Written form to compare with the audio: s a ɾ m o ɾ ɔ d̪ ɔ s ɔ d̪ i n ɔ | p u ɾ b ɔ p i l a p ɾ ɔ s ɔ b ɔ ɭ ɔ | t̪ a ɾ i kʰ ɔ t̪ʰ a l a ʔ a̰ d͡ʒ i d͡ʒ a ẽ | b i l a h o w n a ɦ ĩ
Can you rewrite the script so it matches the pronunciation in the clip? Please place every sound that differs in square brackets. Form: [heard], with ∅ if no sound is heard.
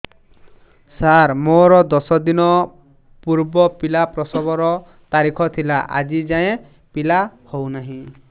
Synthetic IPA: s a ɾ m o ɾ ɔ d̪ ɔ s ɔ d̪ i n ɔ | p u ɾ b ɔ p i l a p ɾ ɔ s ɔ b ɔ [ɾ] ɔ | t̪ a ɾ i kʰ ɔ t̪ʰ [i] l a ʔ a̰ d͡ʒ i d͡ʒ a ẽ | [p] i l a h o w n a ɦ ĩ